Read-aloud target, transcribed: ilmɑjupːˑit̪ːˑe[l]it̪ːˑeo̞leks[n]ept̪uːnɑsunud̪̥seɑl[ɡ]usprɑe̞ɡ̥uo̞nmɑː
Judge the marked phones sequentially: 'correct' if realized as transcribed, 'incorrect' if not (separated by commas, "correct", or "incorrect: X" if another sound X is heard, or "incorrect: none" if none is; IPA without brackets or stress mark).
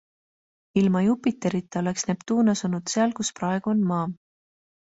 incorrect: ɾ, correct, incorrect: k